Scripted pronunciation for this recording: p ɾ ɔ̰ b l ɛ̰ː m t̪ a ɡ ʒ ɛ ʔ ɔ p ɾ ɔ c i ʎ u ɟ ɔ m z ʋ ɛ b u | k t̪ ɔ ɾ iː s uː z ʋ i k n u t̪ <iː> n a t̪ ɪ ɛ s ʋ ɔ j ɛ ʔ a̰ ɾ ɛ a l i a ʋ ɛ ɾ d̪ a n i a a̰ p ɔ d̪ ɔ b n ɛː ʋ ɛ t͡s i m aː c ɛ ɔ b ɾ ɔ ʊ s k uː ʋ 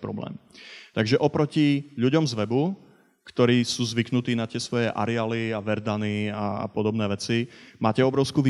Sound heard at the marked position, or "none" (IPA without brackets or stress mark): iː